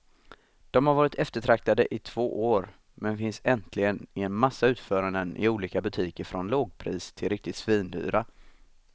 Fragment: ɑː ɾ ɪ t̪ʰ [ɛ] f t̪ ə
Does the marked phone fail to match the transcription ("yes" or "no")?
no